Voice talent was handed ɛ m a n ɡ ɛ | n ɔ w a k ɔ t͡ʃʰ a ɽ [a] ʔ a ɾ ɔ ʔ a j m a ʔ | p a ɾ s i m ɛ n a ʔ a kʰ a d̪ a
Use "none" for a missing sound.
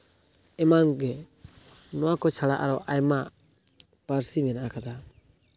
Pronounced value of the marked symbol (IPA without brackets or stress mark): a